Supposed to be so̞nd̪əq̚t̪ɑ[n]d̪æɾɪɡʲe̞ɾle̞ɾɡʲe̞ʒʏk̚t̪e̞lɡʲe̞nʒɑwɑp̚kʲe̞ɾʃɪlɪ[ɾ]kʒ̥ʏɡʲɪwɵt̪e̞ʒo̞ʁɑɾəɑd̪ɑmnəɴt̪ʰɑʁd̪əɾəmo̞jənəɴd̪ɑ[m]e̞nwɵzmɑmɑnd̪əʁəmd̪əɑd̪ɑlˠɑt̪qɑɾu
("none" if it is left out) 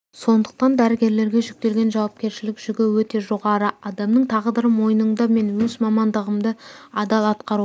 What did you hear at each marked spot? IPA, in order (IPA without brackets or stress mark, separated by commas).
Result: n, none, m